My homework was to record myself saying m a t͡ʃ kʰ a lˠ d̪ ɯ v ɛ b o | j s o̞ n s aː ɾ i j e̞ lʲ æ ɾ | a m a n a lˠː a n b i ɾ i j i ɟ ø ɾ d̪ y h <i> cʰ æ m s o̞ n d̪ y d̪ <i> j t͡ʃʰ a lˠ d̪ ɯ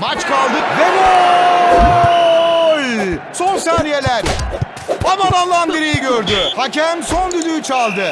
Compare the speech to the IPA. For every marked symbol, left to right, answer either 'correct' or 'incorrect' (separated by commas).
incorrect, incorrect